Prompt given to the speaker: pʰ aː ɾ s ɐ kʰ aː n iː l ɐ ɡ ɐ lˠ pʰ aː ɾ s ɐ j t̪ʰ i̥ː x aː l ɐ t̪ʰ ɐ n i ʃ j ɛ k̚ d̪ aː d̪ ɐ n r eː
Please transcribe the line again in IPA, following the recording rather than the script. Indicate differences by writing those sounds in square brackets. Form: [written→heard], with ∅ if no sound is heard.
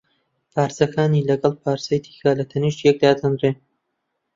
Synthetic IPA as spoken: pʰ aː ɾ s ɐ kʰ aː n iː l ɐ ɡ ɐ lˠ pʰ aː ɾ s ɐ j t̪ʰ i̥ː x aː l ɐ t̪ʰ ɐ n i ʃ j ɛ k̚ d̪ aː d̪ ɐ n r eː